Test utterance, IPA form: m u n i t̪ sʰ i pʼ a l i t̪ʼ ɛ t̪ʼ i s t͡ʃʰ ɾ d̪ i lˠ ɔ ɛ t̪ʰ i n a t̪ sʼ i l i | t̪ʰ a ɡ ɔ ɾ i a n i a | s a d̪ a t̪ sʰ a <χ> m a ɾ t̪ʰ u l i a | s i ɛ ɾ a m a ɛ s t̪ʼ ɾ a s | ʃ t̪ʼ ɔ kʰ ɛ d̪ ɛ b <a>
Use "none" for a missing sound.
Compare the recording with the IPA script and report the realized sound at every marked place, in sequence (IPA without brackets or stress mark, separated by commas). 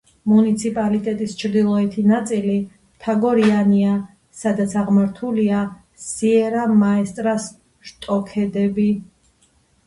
ʁ, i